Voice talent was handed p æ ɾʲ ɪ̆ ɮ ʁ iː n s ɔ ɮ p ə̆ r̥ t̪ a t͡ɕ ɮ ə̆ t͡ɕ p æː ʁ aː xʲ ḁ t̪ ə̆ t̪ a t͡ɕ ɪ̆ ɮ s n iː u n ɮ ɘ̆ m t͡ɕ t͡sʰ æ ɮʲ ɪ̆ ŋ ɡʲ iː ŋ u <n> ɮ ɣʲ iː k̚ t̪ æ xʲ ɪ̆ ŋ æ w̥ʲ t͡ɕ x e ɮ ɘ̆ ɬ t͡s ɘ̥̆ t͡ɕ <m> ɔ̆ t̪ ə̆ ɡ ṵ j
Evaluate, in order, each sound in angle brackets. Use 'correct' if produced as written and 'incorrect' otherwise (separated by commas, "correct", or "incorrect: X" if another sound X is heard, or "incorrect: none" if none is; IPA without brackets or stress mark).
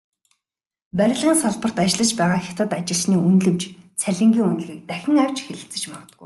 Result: correct, correct